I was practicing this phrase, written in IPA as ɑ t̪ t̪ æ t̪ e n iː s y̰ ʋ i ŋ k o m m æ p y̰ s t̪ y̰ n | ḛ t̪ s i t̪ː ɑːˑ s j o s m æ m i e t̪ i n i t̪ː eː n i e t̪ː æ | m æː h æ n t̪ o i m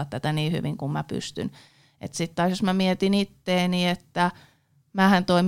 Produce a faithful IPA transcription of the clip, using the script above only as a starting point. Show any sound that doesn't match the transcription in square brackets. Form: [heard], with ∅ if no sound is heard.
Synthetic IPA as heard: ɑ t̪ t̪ æ t̪ [æ] n iː [h] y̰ ʋ i ŋ k [u] m m æ p y̰ s t̪ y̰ n | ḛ t̪ s i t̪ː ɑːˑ s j o s m æ m i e t̪ i n i t̪ː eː n i e t̪ː æ | m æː h æ n t̪ o i m